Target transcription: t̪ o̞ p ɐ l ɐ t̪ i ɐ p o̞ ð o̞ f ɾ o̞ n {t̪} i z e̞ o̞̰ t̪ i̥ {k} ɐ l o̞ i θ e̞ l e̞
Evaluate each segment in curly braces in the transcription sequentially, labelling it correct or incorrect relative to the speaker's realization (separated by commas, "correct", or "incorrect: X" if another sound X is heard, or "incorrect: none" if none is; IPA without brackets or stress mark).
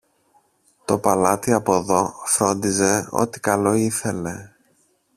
incorrect: d̪, correct